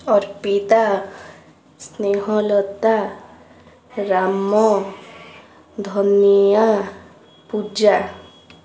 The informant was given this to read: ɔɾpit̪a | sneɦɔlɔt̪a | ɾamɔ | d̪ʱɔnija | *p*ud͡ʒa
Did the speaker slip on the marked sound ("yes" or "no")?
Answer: no